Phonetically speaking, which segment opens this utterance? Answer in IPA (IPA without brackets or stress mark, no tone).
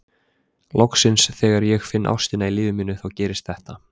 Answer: l